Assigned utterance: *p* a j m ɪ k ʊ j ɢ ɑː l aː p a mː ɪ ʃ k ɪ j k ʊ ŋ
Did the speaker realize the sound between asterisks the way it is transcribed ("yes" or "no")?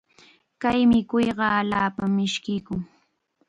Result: no